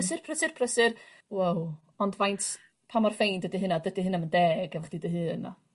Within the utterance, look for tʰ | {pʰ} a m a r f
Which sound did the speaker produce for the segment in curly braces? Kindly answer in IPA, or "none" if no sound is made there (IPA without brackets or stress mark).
pʰ